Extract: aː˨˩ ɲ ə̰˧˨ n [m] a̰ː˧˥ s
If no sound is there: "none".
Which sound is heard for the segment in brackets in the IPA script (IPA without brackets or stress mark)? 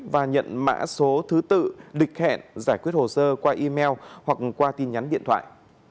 m